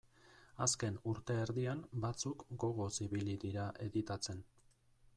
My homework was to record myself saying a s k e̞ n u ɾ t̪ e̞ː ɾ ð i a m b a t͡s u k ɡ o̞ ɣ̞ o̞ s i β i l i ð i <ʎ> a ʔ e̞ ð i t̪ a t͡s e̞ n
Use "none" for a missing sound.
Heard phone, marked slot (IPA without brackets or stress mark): ɾ